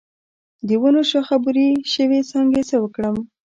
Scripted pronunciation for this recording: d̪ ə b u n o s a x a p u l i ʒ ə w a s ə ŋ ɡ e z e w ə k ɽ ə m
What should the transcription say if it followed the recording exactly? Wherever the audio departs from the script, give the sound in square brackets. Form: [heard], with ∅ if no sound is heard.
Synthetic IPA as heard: d̪ ə [w] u n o [ʃ] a x a [b] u [ɾ] i [ʃ] ə w [e] s [ɑ] ŋ ɡ e [s] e w ə k ɽ ə m